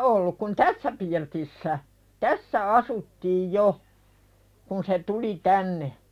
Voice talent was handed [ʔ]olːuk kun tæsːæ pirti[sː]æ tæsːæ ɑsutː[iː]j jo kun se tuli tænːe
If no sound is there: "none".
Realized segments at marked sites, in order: ʔ, sː, iː

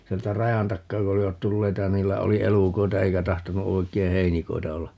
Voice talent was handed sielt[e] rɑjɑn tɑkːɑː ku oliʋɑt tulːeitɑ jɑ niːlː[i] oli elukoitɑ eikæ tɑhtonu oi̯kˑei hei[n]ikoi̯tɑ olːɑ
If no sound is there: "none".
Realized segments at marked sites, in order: æ, æ, n

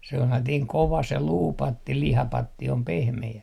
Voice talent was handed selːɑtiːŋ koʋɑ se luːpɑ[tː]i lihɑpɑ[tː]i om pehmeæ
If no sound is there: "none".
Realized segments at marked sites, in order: tː, tː

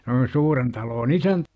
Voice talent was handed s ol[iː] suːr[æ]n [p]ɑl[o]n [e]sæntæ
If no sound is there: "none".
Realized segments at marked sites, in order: i, e, t, oː, i

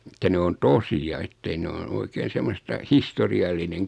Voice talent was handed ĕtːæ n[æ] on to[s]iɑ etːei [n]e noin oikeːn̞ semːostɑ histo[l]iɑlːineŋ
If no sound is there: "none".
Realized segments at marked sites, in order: e, s, n, r

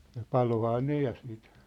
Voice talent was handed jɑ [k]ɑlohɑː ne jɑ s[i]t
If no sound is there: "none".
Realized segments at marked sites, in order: p, iː

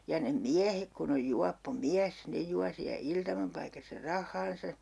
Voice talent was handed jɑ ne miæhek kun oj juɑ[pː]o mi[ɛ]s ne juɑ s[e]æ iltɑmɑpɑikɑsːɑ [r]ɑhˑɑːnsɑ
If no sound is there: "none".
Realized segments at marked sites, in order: pː, æ, i, r

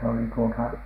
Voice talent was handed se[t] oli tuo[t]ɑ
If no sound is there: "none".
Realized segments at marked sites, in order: none, t

